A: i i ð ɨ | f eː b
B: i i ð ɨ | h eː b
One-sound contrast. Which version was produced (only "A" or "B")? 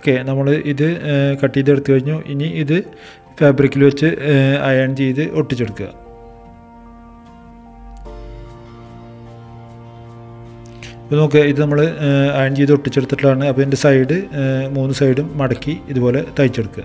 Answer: A